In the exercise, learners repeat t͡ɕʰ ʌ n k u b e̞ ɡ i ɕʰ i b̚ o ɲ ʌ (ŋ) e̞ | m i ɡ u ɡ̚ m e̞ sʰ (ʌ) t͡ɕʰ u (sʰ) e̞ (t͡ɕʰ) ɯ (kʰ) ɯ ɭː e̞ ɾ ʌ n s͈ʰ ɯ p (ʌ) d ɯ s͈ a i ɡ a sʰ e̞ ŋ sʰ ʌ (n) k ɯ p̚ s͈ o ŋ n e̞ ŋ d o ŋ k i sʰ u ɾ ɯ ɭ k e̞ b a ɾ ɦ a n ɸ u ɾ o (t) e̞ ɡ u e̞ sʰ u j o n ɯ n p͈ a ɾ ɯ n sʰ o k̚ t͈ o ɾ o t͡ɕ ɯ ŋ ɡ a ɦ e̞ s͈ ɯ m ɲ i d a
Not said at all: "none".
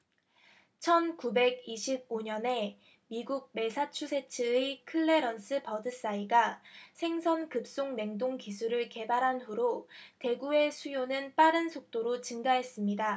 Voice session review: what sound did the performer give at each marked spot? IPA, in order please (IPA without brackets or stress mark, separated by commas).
n, a, sʰ, t͡ɕʰ, kʰ, ʌ, n, t